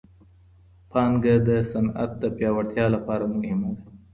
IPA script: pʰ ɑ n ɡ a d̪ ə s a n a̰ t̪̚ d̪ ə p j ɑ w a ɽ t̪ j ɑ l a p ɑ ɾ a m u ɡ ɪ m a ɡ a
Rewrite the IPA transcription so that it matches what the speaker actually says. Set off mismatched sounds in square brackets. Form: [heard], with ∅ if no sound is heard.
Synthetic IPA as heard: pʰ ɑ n ɡ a d̪ ə s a n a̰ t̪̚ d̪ ə p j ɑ w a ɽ t̪ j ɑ l a p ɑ ɾ a m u ɡ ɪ m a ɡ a